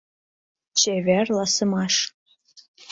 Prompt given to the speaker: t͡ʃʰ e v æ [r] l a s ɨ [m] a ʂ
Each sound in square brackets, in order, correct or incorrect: correct, correct

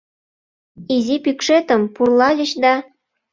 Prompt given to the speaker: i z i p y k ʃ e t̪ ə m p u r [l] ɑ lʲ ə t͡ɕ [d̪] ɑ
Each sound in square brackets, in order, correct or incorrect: correct, correct

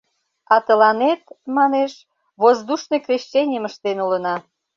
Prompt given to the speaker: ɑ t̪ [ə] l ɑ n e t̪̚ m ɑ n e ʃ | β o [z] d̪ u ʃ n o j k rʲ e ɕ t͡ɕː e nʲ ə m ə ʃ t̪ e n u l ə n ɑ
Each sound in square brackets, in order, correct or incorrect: correct, correct

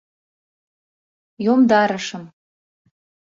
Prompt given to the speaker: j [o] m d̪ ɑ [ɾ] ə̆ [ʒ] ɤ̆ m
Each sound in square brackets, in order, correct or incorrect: correct, correct, incorrect: ʃ

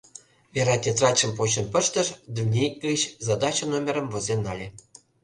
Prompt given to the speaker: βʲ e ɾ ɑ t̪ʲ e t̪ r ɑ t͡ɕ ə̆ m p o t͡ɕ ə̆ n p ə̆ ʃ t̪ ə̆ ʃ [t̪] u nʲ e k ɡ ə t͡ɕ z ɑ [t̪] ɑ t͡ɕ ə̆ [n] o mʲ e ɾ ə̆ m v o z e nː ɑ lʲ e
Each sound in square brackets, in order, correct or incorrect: incorrect: d̪, incorrect: d̪, correct

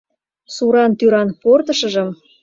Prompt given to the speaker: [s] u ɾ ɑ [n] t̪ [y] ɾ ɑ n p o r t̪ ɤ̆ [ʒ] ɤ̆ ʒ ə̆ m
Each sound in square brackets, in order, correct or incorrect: correct, correct, correct, incorrect: ʃ

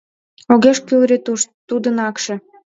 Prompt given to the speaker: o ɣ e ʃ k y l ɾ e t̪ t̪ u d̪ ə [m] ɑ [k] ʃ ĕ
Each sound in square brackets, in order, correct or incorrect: incorrect: n, correct

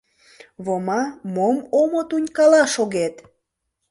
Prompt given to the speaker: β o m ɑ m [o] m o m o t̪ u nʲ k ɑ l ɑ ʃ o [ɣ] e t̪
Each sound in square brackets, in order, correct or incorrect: correct, correct

